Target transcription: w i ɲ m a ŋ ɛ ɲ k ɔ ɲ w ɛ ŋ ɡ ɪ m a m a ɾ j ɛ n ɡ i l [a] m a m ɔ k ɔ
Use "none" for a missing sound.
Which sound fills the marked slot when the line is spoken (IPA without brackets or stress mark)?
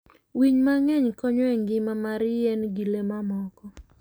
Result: e